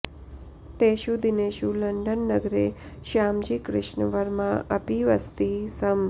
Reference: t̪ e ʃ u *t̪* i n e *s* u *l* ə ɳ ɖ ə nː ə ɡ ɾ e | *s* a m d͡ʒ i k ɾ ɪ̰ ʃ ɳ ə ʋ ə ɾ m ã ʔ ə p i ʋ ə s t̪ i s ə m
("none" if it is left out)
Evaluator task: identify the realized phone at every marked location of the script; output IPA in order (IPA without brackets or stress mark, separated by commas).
d̪, ʃ, l, ʃ